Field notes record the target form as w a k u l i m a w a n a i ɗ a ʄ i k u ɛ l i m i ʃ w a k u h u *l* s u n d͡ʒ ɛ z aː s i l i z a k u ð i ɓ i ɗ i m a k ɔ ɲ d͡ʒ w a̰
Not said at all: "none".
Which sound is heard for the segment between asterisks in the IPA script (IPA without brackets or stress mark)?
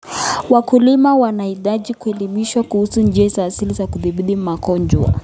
none